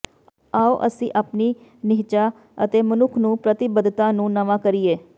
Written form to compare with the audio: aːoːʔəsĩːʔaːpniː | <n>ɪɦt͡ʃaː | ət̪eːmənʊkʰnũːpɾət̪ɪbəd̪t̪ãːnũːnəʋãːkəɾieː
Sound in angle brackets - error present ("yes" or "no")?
no